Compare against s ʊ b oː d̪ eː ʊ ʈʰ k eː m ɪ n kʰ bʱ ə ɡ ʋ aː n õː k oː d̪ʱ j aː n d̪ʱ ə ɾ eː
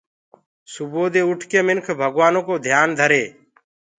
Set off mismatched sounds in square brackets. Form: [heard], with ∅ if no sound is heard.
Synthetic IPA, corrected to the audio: s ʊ b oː d̪ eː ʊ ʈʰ k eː m ɪ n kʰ bʱ ə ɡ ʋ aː n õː k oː d̪ʱ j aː n d̪ʱ ə ɾ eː